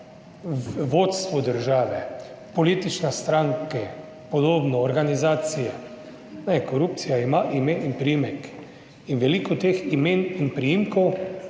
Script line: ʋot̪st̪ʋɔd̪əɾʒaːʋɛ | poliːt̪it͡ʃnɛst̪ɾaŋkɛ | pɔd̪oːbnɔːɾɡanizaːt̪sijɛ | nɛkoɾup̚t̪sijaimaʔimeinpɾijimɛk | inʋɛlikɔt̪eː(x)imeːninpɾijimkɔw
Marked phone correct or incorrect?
correct